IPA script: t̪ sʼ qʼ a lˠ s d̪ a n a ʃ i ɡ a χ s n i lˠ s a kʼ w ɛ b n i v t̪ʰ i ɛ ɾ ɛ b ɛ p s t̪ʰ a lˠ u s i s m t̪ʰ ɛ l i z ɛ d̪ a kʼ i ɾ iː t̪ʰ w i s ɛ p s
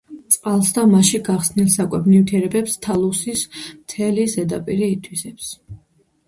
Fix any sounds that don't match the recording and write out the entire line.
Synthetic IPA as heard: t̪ sʼ qʼ a lˠ s d̪ a m a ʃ i ɡ a χ s n i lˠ s a kʼ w ɛ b n i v t̪ʰ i ɛ ɾ ɛ b ɛ p s t̪ʰ a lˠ u s i s m t̪ʰ ɛ l i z ɛ d̪ a pʼ i ɾ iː t̪ʰ w i s ɛ p s